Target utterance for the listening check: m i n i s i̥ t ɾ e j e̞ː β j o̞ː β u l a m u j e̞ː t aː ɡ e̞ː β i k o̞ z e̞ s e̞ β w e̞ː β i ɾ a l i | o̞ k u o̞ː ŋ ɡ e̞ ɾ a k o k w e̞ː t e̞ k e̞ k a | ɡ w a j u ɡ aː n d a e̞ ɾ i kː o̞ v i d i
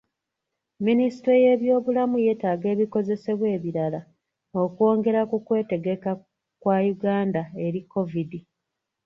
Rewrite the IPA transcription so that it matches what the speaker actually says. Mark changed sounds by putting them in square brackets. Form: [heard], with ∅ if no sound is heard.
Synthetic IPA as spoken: m i n i s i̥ t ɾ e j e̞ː β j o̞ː β u l a m u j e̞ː t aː ɡ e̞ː β i k o̞ z e̞ s e̞ β w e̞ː β i ɾ a l [a] | o̞ k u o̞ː ŋ ɡ e̞ ɾ a k [u] k w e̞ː t e̞ [ɡ] e̞ k a | [k] w a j u ɡ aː n d a e̞ ɾ i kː o̞ v i d i

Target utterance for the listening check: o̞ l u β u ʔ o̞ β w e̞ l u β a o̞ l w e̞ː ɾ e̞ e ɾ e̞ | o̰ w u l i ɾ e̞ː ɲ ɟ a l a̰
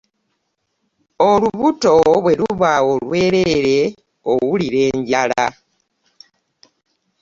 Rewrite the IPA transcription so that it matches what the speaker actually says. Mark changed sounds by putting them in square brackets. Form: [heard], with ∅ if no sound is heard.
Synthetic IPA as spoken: o̞ l u β u [t] o̞ β w e̞ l u β a o̞ l w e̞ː ɾ e̞ e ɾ e̞ | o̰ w u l i ɾ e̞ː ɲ ɟ a l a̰

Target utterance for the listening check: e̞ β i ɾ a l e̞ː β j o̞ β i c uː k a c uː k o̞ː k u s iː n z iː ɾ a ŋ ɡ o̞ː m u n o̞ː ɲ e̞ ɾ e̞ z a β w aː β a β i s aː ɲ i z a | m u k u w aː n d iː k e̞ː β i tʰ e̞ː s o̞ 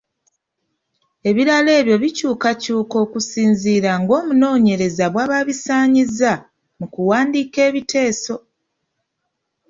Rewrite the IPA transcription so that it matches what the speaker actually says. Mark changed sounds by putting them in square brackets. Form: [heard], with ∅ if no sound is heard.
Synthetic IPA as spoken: e̞ β i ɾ a l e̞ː β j o̞ β i c uː k a c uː k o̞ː k u s iː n z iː ɾ a ŋ ɡ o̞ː m u n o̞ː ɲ e̞ ɾ e̞ z a β w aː β a β i s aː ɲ i z a | m u k u w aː n d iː k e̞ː β i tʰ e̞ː s o̞

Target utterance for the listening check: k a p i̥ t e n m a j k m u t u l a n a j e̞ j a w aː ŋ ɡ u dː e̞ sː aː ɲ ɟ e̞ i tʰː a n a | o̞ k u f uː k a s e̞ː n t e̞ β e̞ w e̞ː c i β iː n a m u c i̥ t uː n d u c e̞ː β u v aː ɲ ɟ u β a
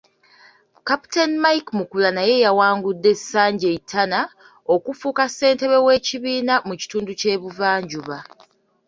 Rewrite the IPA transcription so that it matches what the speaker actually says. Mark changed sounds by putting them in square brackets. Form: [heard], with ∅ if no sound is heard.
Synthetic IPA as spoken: k a p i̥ t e n m a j k m u [k] u l a n a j e̞ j a w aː ŋ ɡ u dː e̞ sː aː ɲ ɟ e̞ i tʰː a n a | o̞ k u f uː k a s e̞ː n t e̞ β e̞ w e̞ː c i β iː n a m u c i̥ t uː n d u c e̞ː β u v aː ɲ ɟ u β a

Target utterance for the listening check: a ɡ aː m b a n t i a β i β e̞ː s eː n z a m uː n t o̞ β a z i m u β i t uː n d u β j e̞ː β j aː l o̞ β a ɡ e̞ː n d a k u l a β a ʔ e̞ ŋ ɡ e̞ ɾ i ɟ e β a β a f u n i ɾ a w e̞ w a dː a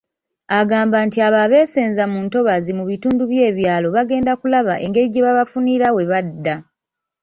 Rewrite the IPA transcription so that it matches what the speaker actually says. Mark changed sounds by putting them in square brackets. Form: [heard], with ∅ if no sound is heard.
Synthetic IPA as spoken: a ɡ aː m b a n t i a β [a] β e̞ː s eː n z a m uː n t o̞ β a z i m u β i t uː n d u β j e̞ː β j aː l o̞ β a ɡ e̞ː n d a k u l a β a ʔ e̞ ŋ ɡ e̞ ɾ i ɟ e β a β a f u n i ɾ a w e̞ [β] a dː a

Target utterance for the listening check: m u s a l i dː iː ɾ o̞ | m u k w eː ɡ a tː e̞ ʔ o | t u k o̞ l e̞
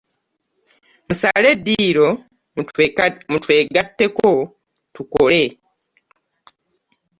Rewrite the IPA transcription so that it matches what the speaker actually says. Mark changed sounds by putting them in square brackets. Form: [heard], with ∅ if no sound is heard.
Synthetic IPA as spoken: m u s a l [e] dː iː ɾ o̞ | m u [t] w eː ɡ a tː e̞ [k] o | t u k o̞ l e̞

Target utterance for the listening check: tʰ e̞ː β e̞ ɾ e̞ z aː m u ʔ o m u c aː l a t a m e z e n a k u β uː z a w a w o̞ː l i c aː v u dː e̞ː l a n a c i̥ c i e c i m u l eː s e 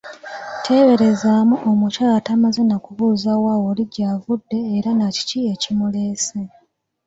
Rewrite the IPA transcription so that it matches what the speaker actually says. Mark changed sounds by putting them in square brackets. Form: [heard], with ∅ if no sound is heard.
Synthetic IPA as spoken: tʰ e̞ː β e̞ ɾ e̞ z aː m u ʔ o m u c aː l a t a m [a] z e n a k u β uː z a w a w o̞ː l i [ɟ] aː v u dː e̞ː [ɾ] a n a c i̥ c i e c i m u l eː s e

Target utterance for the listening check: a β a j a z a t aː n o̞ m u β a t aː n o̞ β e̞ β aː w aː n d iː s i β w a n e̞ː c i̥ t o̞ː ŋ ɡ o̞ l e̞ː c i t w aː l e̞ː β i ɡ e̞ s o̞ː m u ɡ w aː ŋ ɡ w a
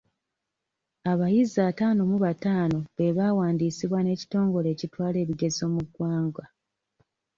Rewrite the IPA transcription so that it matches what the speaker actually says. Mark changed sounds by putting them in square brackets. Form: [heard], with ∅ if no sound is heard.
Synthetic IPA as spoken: a β a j [i] z a t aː n o̞ m u β a t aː n o̞ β e̞ β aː w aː n d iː s i β w a n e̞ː c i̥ t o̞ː ŋ ɡ o̞ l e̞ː c i t w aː l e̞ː β i ɡ e̞ [z] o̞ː m u ɡ w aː ŋ ɡ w a

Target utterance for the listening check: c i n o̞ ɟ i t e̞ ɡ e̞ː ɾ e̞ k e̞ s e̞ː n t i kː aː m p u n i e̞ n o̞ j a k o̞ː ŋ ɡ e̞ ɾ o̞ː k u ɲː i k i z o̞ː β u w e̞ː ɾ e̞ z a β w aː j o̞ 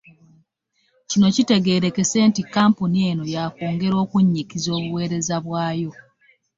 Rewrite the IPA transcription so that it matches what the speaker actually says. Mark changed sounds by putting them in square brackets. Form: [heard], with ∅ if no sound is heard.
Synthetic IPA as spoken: c i n o̞ [c] i t e̞ ɡ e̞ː ɾ e̞ k e̞ s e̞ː n t i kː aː m p u n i e̞ n o̞ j a k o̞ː ŋ ɡ e̞ ɾ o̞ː k u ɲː i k i z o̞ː β u w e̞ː ɾ e̞ z a β w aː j o̞

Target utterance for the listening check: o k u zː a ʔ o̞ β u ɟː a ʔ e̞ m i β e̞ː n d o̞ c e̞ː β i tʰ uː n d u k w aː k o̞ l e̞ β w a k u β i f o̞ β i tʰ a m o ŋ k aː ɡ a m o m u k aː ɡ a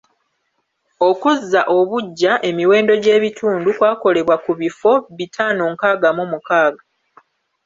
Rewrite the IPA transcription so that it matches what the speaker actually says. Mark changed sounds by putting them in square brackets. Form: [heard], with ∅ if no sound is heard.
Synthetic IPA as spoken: o k u zː a ʔ o̞ β u ɟː a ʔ e̞ m i [w] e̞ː n d o̞ [ɟ] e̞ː β i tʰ uː n d u k w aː k o̞ l e̞ β w a k u β i f o̞ β i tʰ a [n] o ŋ k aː ɡ a m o m u k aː ɡ a

